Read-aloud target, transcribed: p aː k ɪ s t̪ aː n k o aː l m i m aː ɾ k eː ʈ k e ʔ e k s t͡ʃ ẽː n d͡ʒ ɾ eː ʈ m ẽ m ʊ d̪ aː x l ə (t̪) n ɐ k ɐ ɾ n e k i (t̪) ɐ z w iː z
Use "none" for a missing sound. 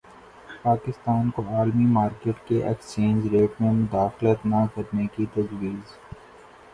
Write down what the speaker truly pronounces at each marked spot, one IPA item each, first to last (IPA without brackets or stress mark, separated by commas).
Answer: t̪, t̪